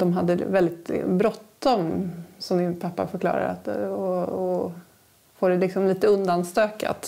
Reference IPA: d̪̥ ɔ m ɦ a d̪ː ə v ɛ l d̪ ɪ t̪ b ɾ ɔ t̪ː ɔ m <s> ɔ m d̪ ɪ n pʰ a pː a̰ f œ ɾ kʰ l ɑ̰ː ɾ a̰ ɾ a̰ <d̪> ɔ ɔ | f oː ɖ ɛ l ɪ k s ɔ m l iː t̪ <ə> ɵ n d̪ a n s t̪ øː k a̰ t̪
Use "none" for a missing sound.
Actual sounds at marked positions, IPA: s, t̪, ə

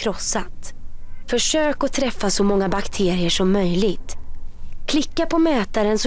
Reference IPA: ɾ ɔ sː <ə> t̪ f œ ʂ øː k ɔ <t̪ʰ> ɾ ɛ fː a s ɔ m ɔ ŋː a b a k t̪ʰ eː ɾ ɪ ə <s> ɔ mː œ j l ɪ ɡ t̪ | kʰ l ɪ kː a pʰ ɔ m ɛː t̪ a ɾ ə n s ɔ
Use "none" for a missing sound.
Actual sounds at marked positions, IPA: a, t̪ʰ, ʂ

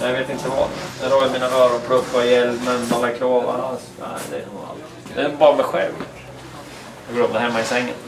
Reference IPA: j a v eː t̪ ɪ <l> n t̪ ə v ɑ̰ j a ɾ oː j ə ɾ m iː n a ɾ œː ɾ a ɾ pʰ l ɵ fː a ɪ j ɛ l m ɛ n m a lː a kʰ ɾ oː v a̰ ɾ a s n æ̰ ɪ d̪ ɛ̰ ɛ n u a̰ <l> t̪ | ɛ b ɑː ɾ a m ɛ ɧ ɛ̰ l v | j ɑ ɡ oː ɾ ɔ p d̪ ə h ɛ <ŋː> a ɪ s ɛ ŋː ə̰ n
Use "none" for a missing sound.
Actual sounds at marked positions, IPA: none, l, mː

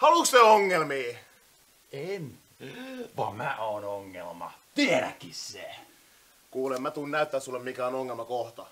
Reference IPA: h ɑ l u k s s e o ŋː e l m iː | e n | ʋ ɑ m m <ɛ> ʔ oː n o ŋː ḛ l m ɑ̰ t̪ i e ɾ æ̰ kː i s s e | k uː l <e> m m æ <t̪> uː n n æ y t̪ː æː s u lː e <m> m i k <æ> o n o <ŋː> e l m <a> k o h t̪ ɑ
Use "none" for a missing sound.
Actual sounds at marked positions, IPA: æ, e, t̪, m, æ, ŋː, ɑ

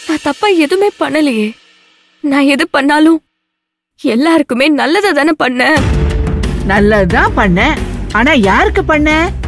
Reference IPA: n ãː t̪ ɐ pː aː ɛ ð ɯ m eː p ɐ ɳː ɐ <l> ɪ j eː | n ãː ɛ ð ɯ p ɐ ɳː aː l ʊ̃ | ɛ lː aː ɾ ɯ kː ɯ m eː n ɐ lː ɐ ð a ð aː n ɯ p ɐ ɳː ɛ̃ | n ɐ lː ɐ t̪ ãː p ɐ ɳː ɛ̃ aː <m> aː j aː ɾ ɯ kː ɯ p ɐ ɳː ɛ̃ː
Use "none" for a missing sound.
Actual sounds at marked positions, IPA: l, n

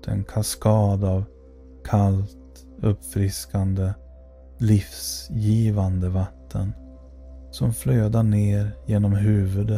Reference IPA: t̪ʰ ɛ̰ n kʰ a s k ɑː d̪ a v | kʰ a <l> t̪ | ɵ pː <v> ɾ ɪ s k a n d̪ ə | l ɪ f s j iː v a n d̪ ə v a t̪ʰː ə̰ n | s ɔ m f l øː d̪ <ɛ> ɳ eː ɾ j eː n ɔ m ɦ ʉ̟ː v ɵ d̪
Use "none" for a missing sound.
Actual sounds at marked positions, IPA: l, f, a

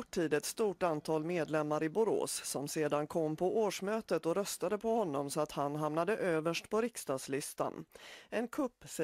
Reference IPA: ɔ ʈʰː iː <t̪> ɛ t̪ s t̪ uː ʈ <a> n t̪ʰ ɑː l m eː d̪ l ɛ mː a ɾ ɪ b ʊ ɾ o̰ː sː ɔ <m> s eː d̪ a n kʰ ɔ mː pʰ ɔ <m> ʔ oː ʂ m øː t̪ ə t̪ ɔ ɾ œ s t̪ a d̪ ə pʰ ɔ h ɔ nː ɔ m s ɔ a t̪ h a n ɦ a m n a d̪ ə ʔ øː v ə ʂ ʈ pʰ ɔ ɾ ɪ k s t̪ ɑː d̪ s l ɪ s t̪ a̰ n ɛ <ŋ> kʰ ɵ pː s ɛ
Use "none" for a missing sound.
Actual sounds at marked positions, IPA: d̪, a, m, none, n

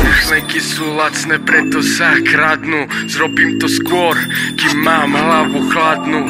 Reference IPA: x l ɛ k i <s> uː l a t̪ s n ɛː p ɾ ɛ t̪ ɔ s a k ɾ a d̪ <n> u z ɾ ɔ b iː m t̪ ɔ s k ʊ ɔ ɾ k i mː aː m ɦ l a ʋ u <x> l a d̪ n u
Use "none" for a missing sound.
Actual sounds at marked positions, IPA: s, n, x

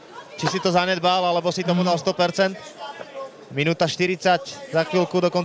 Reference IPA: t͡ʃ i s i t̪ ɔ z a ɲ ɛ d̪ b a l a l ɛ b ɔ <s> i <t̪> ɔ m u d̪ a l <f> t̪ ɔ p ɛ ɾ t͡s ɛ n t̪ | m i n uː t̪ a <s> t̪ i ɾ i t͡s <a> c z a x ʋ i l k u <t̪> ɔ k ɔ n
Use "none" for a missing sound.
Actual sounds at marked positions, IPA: s, t̪, s, ʃ, a, d̪

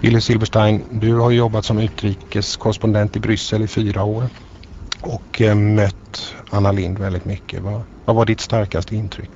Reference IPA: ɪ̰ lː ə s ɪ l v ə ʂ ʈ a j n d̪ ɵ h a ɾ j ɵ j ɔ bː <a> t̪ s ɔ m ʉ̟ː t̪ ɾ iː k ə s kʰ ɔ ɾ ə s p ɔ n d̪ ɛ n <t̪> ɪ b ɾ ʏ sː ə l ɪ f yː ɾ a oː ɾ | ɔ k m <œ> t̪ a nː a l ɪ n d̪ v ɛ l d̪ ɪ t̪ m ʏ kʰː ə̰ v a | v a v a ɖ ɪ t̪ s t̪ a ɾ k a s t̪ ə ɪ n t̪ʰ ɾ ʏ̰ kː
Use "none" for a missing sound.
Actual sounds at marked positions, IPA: a, t̪, œ

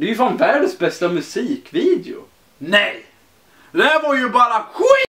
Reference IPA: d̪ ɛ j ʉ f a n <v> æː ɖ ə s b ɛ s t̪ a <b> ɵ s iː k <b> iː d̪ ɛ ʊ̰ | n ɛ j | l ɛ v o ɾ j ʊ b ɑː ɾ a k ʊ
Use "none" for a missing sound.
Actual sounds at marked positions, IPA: v, m, v

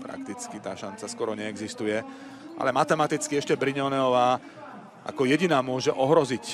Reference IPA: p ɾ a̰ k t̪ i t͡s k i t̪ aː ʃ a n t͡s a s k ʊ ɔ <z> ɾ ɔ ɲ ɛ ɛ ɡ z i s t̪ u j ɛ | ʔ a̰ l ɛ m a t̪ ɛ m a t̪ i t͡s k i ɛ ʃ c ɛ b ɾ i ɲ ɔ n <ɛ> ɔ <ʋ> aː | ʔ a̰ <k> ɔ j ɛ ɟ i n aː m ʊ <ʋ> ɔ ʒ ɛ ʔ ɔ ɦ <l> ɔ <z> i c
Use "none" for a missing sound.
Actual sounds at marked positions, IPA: none, ɛ, ʋ, k, none, ɾ, z

